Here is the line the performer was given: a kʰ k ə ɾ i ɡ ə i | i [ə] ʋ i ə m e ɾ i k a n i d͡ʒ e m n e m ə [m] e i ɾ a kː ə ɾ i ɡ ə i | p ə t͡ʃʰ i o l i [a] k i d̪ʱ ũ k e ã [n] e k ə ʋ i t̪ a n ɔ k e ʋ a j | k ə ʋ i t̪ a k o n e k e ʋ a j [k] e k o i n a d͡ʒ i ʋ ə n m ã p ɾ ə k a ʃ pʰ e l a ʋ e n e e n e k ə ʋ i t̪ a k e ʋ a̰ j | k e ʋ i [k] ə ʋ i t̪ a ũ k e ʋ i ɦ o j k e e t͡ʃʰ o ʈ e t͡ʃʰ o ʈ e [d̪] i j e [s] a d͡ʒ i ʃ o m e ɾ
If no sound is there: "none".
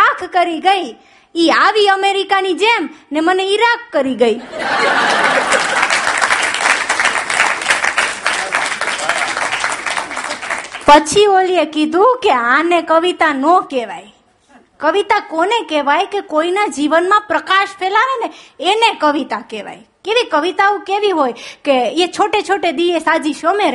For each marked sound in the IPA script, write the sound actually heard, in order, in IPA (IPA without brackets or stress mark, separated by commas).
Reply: a, n, e, n, k, k, d̪, s